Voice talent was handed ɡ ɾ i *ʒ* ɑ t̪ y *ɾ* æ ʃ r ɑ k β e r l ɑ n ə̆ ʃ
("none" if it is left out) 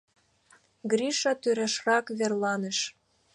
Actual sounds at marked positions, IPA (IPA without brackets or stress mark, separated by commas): ʃ, ɾ